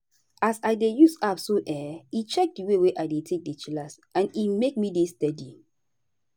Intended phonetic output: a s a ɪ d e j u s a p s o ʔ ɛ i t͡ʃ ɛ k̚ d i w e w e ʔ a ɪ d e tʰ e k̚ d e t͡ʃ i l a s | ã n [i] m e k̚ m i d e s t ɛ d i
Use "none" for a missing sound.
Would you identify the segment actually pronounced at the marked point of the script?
i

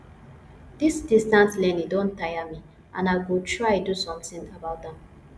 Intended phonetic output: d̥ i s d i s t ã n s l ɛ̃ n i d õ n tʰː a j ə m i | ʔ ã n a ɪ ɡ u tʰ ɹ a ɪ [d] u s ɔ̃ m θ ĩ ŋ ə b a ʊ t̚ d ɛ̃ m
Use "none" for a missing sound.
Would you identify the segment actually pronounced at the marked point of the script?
d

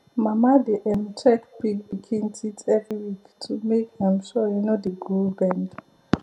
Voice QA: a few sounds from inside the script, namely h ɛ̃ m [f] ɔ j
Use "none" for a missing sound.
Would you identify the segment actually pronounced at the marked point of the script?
ʃ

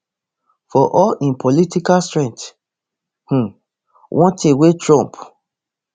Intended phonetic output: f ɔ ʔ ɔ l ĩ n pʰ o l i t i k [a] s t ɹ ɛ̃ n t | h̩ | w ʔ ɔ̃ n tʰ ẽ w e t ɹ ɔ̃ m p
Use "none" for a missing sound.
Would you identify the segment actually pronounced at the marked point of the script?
a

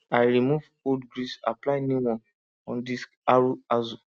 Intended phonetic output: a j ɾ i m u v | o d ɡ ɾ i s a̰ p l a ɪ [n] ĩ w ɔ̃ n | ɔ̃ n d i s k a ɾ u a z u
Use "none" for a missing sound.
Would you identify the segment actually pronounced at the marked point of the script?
n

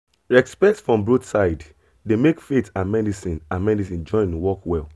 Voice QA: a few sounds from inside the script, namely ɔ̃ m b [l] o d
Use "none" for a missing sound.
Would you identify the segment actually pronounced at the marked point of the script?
ɹ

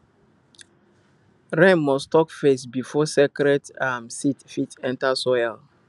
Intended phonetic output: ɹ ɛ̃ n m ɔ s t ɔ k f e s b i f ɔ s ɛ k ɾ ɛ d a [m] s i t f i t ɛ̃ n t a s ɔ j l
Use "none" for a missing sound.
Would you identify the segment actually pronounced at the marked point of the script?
m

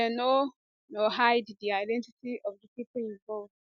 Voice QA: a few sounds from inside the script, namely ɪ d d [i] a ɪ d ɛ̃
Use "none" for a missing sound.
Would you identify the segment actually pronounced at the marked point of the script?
i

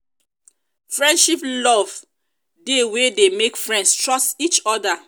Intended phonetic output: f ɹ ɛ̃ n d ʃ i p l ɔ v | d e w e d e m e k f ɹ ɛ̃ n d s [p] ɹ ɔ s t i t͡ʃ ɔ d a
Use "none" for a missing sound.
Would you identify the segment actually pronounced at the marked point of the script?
t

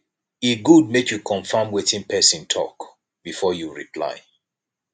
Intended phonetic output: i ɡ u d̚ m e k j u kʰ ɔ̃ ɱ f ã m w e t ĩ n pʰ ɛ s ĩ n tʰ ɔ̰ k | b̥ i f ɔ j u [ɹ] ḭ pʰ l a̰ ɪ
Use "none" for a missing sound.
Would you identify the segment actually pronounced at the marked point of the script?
ɹ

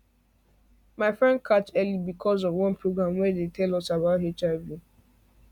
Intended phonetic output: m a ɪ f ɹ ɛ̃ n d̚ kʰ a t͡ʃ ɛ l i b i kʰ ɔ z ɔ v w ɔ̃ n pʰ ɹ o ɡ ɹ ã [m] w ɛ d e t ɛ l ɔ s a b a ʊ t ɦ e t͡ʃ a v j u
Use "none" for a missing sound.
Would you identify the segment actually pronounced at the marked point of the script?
m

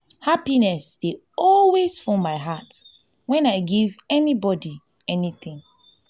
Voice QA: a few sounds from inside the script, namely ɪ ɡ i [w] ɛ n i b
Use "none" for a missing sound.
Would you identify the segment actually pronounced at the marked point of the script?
v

